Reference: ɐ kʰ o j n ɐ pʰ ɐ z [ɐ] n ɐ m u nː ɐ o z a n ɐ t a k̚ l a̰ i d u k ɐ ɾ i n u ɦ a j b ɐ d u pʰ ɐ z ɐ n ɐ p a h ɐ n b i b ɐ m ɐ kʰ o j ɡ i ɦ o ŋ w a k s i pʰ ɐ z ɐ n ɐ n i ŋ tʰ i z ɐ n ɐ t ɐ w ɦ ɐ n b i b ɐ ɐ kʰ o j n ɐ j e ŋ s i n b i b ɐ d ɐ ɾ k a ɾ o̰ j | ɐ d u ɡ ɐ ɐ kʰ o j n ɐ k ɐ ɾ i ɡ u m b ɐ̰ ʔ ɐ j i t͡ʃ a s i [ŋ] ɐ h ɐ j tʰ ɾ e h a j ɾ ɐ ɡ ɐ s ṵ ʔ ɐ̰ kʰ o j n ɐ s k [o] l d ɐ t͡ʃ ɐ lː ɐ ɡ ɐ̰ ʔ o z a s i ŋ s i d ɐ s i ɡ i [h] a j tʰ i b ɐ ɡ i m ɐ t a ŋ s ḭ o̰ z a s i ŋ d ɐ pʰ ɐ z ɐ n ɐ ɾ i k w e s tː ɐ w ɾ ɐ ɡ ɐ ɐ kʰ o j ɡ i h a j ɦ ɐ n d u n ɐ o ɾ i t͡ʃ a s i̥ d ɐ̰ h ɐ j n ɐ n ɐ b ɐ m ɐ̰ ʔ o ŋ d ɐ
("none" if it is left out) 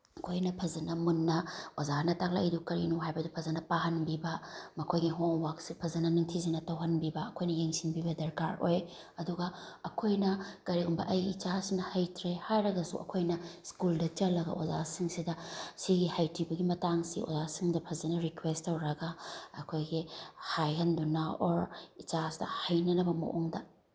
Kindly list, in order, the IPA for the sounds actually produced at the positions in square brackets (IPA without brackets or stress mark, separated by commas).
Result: ɐ, n, u, h